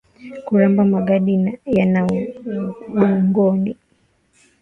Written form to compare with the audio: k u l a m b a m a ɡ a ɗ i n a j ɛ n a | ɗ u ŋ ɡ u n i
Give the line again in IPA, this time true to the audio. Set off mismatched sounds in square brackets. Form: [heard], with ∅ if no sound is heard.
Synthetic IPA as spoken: k u [ɾ] a m b a m a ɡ a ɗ i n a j [a] n a | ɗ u ŋ ɡ [ɔ] n i